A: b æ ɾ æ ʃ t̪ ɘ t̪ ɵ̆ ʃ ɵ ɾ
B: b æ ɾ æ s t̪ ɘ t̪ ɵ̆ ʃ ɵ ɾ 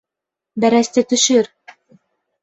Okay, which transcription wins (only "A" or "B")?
B